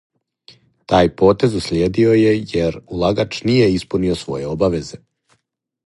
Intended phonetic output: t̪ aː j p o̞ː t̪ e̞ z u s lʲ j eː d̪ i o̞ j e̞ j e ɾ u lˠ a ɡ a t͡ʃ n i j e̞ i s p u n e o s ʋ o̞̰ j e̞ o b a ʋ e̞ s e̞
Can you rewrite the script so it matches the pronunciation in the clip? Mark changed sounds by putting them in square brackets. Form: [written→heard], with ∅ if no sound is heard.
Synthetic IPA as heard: t̪ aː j p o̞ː t̪ e̞ z u s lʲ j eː d̪ i o̞ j e̞ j e ɾ u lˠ a ɡ a t͡ʃ n i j e̞ i s p u n [e→i] o s ʋ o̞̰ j e̞ o b a ʋ e̞ [s→z] e̞